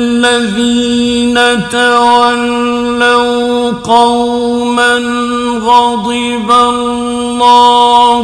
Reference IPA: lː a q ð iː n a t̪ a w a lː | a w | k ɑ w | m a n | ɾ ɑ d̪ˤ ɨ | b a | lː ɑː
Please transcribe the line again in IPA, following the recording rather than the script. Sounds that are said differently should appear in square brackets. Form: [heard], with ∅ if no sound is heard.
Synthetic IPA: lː a [∅] ð iː n a t̪ a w a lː | a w | [q] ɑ w | m a n | ɾ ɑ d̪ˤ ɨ | b a | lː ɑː